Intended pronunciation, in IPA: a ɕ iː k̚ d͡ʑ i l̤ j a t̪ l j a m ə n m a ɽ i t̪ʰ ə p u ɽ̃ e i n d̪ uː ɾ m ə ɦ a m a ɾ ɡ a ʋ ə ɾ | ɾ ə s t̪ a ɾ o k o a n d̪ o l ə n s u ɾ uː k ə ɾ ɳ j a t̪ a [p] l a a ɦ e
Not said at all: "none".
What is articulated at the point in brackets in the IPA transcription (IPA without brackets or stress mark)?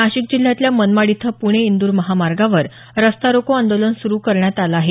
none